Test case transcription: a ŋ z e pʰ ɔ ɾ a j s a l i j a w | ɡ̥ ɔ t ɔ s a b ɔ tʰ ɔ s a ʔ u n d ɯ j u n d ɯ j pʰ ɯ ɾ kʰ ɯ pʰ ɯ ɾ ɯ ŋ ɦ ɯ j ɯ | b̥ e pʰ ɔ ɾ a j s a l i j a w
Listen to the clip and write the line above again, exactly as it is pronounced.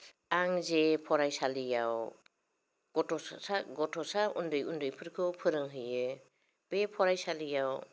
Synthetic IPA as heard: a ŋ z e pʰ ɔ ɾ a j s a l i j a w | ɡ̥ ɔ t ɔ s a ɡ ɔ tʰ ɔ s a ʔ u n d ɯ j u n d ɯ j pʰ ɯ ɾ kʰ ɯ pʰ ɯ ɾ ɯ ŋ ɦ ɯ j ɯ | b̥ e pʰ ɔ ɾ a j s a l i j a w